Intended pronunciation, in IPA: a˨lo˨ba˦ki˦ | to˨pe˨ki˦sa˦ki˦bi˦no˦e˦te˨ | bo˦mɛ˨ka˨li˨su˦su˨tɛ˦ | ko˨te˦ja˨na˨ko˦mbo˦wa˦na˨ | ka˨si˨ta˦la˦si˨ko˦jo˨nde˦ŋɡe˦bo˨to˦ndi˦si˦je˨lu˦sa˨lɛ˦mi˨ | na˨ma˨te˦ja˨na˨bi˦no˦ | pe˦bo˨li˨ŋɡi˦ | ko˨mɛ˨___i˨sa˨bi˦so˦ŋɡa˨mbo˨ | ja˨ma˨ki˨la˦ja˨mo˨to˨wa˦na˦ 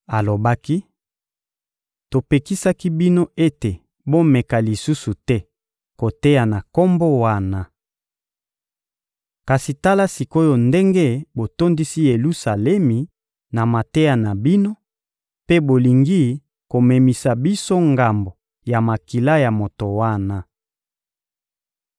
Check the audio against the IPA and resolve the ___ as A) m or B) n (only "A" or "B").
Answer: A